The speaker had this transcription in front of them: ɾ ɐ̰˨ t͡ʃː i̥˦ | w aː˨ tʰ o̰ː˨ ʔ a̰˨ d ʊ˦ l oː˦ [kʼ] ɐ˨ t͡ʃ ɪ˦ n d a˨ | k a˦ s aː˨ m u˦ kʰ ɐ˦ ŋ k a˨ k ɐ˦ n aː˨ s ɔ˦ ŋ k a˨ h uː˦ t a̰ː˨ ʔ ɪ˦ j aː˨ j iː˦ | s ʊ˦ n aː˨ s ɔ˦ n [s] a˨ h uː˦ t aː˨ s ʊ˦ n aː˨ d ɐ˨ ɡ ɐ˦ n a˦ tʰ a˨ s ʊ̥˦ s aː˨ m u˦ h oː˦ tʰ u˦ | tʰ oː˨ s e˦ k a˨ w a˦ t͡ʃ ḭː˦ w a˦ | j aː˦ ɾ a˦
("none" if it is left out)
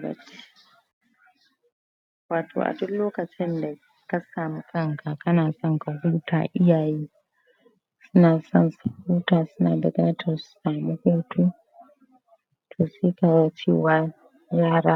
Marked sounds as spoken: k, s

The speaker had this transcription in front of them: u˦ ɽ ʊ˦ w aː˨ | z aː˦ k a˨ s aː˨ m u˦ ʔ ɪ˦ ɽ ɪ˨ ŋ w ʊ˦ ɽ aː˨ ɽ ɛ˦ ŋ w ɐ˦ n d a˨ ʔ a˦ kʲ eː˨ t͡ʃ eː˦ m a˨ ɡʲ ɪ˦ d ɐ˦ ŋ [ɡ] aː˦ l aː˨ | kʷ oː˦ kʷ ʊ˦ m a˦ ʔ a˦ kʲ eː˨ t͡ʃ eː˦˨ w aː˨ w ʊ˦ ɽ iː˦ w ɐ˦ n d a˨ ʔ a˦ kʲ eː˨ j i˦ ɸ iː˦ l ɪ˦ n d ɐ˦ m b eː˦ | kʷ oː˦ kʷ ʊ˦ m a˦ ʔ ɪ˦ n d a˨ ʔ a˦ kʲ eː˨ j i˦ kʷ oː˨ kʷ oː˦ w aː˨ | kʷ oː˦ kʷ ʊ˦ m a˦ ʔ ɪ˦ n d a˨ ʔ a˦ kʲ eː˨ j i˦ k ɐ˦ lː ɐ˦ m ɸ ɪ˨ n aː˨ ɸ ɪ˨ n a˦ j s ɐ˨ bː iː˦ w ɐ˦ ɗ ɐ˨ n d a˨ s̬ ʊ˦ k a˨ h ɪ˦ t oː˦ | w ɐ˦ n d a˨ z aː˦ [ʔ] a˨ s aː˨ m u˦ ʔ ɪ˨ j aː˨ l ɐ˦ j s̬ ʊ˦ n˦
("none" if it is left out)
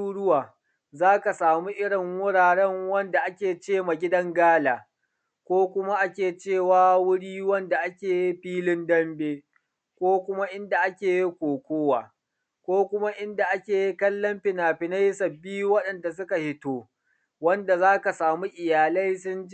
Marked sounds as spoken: ɡ, k

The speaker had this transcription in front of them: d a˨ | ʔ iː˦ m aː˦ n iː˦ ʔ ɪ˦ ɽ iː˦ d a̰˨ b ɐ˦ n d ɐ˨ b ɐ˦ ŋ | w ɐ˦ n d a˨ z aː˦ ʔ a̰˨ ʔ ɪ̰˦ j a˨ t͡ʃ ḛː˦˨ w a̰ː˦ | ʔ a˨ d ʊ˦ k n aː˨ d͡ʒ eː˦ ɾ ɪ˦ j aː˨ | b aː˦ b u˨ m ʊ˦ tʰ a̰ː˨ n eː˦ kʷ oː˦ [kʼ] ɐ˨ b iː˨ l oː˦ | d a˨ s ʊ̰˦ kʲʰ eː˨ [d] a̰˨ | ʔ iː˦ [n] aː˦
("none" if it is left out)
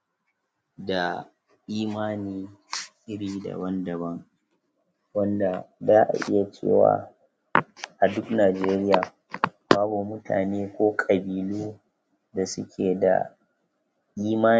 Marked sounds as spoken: kʼ, d, m

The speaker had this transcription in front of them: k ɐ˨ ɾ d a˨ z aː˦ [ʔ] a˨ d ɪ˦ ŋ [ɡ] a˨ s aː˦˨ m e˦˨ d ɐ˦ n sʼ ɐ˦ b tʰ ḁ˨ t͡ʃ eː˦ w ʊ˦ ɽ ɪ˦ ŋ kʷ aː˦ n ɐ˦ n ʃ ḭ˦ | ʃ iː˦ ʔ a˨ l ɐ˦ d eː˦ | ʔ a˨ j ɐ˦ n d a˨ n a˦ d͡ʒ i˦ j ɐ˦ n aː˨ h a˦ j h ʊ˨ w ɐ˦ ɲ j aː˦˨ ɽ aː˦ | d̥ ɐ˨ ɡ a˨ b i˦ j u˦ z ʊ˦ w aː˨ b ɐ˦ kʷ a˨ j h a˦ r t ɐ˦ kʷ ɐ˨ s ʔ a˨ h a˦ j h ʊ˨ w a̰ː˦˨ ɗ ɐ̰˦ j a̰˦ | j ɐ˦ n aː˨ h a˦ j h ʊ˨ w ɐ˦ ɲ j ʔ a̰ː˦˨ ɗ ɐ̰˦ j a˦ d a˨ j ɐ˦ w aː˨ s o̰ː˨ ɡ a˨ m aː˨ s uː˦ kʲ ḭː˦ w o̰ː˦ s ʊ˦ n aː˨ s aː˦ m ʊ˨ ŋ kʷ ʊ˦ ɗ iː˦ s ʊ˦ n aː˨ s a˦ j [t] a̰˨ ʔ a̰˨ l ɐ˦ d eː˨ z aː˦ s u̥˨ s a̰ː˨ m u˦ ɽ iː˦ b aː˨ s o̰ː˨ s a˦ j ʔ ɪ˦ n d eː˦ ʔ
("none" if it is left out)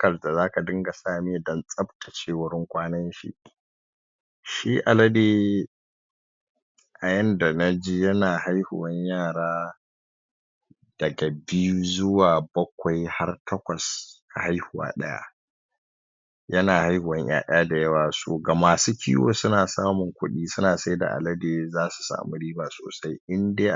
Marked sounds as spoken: k, ɡ, d

